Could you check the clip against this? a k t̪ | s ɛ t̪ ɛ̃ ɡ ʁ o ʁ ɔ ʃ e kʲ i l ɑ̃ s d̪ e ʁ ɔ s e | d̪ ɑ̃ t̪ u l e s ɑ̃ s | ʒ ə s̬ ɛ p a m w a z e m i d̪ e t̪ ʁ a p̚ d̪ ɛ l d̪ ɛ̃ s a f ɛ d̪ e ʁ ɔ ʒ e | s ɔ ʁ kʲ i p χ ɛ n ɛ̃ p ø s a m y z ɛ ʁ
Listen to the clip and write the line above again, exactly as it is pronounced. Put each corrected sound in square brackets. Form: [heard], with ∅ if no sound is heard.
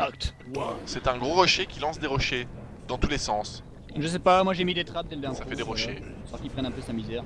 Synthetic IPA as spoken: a k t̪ | s ɛ t̪ ɛ̃ ɡ ʁ o ʁ ɔ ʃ e kʲ i l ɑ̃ s d̪ e ʁ ɔ [ʃ] e | d̪ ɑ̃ t̪ u l e s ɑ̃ s | ʒ ə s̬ ɛ p a m w a [ʒ] e m i d̪ e t̪ [χ] a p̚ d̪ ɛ l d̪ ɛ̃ s a f ɛ d̪ e ʁ ɔ [ʃ] e | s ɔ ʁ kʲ i p χ ɛ n ɛ̃ p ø s a m [i] z ɛ ʁ